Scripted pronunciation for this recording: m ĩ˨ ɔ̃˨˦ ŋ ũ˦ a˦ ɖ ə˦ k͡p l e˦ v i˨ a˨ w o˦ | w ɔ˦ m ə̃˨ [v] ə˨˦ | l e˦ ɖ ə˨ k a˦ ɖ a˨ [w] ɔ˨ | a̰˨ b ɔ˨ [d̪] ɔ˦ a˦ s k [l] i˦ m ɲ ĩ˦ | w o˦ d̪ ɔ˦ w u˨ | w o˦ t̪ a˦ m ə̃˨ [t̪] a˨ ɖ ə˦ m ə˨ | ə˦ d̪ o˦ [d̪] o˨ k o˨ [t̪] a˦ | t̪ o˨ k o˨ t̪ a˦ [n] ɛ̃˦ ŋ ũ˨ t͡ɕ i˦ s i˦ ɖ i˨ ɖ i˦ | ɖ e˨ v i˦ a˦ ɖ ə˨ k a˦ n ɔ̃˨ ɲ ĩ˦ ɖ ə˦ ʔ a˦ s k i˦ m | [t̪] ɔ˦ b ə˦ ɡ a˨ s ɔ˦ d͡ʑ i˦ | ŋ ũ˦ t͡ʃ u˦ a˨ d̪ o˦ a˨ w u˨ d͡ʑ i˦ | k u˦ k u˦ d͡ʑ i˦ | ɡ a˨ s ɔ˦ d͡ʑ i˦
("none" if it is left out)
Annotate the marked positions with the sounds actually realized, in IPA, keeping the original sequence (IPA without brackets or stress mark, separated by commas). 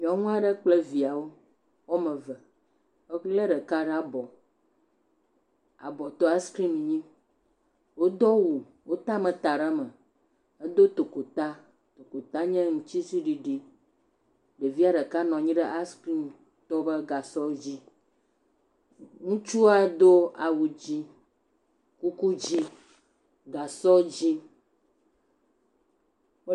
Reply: v, b, t̪, ɾ, t̪, t̪, t̪, ɲ, t̪